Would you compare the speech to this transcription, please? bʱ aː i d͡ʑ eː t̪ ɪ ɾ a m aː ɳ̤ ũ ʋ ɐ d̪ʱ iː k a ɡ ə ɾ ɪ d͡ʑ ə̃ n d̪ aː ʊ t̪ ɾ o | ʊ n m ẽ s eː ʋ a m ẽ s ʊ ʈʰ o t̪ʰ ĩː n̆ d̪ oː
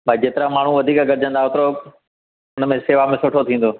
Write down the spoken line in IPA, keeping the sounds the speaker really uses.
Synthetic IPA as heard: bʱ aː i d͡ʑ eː t̪ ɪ ɾ a m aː ɳ̤ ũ ʋ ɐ d̪ʱ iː k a ɡ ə ɾ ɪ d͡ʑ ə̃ n d̪ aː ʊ t̪ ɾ o | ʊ n m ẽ s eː ʋ a m ẽ s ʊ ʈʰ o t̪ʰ ĩː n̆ d̪ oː